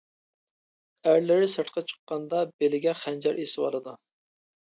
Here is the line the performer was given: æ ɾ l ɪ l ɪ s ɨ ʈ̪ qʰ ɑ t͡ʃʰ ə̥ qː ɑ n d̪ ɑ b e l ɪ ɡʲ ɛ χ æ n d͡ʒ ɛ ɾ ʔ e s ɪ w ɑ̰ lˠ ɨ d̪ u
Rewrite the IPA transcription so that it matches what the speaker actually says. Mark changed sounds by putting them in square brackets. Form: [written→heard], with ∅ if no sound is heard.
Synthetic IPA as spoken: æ ɾ l ɪ [l→ɾ] ɪ s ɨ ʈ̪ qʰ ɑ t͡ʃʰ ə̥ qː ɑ n d̪ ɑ b e l ɪ ɡʲ ɛ χ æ n d͡ʒ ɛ ɾ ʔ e s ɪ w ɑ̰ lˠ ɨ d̪ u